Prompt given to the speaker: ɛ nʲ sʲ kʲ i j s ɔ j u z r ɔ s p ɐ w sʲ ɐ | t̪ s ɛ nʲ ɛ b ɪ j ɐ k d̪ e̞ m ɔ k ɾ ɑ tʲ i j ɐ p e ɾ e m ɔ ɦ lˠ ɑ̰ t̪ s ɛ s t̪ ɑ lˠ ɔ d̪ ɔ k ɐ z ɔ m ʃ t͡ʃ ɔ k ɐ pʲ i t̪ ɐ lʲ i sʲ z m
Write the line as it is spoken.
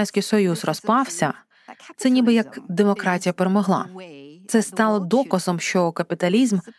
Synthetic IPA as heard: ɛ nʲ sʲ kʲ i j s ɔ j u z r ɔ s p ɑ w sʲ ɐ | t̪ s ɛ nʲ i b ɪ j ɐ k d̪ e̞ m ɔ k ɾ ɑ tʲ i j ɐ p e ɾ e m ɔ ɦ lˠ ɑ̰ t̪ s ɛ s t̪ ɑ lˠ ɔ d̪ ɔ k ɐ z ɔ m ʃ t͡ʃ ɔ k ɐ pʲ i t̪ ɐ lʲ i z m